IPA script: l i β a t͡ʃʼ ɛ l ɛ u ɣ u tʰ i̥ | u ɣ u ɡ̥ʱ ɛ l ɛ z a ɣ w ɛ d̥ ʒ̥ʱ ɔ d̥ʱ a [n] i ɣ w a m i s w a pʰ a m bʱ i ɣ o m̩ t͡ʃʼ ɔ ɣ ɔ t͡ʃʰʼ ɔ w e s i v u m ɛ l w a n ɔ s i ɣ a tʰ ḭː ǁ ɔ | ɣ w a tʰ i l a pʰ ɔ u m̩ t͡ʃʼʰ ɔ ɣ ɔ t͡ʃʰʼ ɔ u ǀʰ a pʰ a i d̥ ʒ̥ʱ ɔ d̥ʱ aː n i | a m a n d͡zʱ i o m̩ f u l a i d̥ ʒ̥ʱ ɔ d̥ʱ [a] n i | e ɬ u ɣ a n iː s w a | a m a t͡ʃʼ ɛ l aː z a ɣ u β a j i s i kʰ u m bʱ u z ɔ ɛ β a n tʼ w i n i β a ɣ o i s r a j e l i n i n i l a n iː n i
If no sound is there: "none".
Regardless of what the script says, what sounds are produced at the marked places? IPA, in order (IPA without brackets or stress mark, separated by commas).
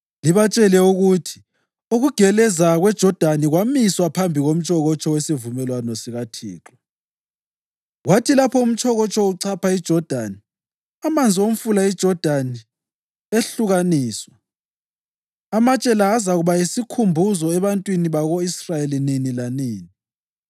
n, a